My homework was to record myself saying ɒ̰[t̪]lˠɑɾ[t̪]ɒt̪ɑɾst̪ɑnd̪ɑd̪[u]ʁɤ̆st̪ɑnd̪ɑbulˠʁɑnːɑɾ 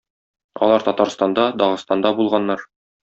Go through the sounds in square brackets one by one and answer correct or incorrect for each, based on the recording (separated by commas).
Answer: incorrect, correct, incorrect